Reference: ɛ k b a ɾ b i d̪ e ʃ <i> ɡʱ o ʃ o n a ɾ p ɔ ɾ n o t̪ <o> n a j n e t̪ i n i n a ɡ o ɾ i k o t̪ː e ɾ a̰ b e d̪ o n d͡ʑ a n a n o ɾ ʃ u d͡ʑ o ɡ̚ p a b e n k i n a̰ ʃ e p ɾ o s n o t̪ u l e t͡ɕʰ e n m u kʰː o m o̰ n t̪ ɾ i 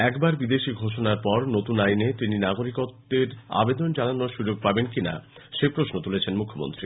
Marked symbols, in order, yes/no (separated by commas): yes, no